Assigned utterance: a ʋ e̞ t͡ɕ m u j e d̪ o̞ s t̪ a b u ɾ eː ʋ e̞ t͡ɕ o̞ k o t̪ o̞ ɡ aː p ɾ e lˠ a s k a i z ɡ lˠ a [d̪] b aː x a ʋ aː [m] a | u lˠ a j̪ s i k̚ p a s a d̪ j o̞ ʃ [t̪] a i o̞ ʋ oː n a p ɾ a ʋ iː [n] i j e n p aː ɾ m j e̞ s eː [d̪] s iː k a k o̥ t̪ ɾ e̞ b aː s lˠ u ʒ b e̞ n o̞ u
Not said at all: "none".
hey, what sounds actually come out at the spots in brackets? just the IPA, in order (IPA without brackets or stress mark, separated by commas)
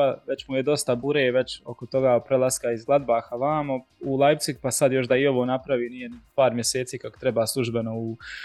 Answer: d̪, m, d̪, n, t̪